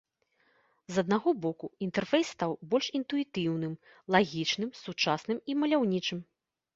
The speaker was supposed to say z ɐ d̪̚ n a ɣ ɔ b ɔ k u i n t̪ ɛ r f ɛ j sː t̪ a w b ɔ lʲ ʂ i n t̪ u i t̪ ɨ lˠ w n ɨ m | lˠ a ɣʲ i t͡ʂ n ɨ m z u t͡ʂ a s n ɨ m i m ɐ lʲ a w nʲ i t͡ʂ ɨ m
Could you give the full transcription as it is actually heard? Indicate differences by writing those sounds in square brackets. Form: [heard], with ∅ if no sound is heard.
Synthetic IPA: z ɐ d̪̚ n a ɣ ɔ b ɔ k u i n t̪ ɛ r f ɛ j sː t̪ a w b ɔ lʲ ʂ i n t̪ u i t̪ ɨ [∅] w n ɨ m | lˠ a ɣʲ i t͡ʂ n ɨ m [s] u t͡ʂ a s n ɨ m i m ɐ lʲ a w nʲ i t͡ʂ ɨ m